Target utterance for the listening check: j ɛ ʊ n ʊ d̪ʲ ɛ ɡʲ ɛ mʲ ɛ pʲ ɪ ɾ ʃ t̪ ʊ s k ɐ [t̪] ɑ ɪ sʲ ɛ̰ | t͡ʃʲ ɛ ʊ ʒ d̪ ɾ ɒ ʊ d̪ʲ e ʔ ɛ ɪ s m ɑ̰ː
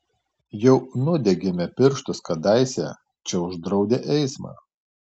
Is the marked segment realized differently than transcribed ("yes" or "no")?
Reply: yes